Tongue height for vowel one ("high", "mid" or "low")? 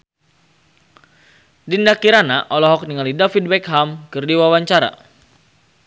high